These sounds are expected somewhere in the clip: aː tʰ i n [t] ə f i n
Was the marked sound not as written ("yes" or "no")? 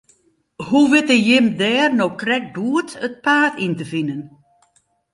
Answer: no